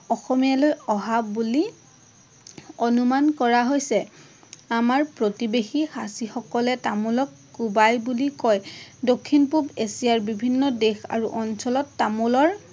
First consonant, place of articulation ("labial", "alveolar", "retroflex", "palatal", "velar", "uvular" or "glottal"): velar